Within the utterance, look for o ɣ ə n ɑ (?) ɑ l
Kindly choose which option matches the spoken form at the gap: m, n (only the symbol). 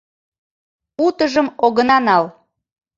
n